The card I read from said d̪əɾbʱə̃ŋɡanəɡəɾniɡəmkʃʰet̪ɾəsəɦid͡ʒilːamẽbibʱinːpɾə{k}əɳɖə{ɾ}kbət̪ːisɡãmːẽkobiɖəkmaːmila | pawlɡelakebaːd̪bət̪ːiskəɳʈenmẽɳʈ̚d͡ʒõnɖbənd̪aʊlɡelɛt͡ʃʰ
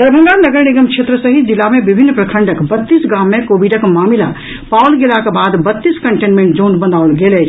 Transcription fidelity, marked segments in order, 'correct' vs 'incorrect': incorrect: kʰ, incorrect: none

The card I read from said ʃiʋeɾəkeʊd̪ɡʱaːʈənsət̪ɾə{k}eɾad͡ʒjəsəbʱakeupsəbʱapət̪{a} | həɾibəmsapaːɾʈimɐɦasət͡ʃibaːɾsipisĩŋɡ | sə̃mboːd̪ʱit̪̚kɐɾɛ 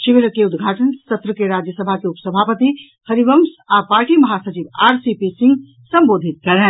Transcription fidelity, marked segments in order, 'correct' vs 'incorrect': correct, incorrect: i

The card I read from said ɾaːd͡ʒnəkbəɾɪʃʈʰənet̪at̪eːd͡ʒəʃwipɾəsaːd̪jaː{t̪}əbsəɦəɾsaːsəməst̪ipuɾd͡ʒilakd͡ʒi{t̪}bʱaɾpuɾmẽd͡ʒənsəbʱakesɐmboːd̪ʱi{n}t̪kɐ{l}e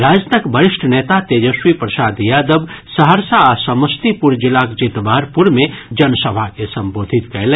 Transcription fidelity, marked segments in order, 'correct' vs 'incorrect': incorrect: d̪, correct, incorrect: none, correct

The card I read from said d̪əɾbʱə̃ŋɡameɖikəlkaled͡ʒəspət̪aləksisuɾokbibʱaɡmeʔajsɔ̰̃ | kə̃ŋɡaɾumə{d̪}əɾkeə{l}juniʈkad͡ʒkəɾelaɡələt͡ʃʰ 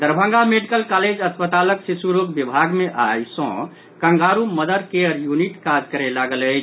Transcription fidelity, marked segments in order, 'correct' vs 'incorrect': correct, incorrect: ɾ

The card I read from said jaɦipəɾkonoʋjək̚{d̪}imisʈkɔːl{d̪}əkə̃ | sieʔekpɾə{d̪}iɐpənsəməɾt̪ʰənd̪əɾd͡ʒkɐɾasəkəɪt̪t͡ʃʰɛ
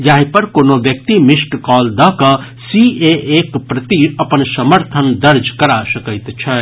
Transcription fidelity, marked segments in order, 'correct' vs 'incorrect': incorrect: t̪, correct, incorrect: t̪

